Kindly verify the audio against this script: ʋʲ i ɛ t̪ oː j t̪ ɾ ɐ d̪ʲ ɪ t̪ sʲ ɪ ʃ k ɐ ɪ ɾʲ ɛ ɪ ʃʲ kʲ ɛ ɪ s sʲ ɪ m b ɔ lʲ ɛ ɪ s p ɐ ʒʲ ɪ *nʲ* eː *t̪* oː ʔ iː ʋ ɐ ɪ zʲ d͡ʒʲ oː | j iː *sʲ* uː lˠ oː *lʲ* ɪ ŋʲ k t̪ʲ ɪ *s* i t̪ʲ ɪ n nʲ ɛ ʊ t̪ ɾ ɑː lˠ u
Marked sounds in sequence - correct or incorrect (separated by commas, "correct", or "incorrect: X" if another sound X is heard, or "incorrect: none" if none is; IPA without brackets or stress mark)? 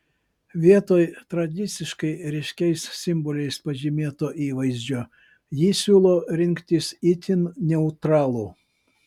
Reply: incorrect: mʲ, correct, correct, incorrect: ɾʲ, correct